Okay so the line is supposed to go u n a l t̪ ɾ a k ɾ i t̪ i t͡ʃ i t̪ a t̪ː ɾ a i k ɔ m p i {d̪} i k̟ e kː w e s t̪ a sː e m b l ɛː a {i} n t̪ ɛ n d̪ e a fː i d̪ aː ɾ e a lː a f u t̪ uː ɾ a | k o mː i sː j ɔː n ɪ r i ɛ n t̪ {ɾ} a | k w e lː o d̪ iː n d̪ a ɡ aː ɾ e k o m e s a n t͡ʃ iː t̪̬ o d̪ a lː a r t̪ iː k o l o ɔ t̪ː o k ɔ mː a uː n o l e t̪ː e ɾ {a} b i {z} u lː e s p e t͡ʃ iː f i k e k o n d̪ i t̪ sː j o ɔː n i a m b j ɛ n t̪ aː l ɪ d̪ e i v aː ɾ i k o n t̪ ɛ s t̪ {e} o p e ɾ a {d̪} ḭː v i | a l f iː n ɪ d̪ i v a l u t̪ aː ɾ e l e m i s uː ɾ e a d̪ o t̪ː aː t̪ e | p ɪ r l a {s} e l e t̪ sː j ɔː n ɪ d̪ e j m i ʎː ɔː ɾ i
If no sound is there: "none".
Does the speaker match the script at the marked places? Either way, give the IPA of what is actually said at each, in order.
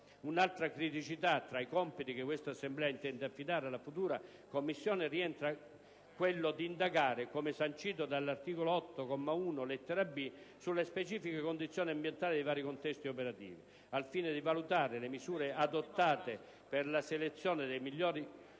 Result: t̪, i, ɾ, a, s, i, t̪, s

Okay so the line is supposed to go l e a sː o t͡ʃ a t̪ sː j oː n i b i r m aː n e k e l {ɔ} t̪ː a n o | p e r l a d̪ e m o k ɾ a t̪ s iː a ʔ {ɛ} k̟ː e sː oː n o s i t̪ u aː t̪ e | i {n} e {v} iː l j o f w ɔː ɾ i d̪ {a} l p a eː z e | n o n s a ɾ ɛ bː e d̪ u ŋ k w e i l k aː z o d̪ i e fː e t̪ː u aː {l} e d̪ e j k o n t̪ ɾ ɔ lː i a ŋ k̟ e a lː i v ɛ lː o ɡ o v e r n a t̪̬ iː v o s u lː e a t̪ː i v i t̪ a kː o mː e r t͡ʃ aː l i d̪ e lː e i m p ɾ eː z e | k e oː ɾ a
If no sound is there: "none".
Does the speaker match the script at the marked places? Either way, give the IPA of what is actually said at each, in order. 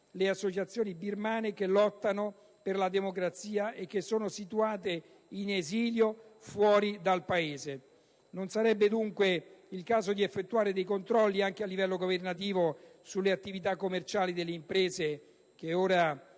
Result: ɔ, e, n, z, a, ɾ

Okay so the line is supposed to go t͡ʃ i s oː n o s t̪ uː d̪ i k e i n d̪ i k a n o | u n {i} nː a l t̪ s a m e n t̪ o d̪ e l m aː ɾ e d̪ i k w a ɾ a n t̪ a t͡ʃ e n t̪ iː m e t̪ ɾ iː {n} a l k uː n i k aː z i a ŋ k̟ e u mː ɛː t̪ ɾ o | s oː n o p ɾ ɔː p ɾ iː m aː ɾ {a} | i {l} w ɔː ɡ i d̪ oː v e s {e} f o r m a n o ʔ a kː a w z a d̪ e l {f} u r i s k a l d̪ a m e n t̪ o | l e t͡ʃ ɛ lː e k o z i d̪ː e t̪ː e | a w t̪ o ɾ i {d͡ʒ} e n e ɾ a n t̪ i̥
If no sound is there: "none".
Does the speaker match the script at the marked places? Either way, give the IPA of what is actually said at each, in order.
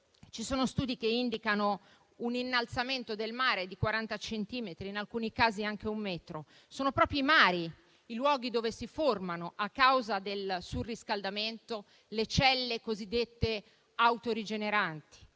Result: i, n, i, l, i, s, d͡ʒ

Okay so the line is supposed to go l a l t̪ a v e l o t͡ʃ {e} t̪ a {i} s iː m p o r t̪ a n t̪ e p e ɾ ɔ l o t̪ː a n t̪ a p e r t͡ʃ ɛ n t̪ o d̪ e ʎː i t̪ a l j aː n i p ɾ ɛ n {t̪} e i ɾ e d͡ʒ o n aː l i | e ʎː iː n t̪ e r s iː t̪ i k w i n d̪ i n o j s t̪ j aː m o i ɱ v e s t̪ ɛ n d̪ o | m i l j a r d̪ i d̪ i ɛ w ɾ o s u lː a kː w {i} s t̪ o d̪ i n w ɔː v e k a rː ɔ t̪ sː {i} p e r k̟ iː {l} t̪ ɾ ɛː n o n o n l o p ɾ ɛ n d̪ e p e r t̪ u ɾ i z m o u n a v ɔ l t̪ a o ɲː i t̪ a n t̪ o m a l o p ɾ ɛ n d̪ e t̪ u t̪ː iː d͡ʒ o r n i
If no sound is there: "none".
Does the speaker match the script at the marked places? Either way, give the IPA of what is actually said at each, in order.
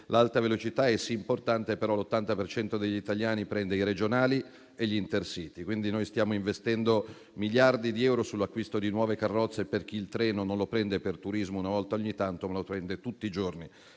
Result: i, ɛ, d̪, i, e, l

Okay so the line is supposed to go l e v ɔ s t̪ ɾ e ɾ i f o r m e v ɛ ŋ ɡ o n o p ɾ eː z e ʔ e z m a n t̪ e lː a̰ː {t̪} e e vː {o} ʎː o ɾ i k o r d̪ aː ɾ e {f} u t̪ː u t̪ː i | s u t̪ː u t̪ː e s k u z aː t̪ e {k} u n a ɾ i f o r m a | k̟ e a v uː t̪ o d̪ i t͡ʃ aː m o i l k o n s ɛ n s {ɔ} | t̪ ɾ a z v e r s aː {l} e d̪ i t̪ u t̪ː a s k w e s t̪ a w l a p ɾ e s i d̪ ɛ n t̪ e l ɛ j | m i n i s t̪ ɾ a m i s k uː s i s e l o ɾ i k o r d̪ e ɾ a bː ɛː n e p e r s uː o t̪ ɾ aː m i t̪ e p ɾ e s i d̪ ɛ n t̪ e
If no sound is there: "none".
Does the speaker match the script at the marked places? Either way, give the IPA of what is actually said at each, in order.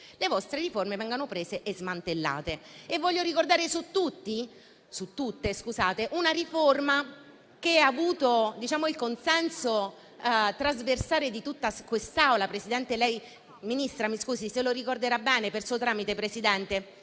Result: t̪, ɔ, s, ʔ, o, ɾ

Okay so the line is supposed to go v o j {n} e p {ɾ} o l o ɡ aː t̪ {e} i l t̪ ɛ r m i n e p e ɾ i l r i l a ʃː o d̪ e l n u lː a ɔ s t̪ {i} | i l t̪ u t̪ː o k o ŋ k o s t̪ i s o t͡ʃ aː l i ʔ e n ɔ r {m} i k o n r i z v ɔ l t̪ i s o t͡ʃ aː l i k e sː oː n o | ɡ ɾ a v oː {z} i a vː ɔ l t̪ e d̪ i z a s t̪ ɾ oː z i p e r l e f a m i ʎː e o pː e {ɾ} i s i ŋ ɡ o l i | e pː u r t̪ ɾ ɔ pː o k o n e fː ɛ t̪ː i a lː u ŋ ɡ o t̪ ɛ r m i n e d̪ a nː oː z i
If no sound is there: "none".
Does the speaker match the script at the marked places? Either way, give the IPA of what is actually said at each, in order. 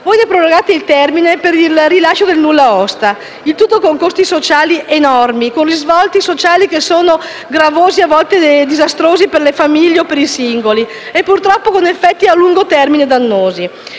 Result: n, ɾ, e, a, m, z, ɾ

